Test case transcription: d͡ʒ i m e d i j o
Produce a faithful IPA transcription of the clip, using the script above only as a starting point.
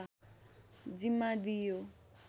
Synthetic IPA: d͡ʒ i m a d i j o